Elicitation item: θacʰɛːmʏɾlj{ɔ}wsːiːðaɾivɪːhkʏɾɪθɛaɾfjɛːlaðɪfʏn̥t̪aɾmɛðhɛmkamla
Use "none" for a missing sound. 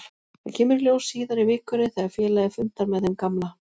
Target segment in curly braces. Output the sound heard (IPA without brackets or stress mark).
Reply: o